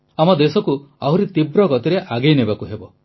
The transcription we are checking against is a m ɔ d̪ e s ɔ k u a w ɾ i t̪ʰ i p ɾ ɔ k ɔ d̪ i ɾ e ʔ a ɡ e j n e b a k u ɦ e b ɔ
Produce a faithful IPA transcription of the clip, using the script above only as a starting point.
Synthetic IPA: a m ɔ d̪ e s ɔ k u a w ɾ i t̪ i b ɾ ɔ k ɔ t̪ i ɾ e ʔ a ɡ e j n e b a k u ɦ e b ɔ